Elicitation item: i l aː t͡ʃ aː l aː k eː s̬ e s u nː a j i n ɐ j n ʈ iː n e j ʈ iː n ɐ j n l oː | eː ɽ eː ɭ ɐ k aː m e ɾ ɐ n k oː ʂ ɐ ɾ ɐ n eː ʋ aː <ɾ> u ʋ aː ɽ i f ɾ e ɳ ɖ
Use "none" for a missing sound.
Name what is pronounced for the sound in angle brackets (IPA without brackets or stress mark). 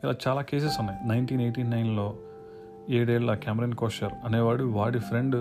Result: ɽ